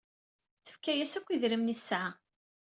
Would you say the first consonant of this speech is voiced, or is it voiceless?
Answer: voiceless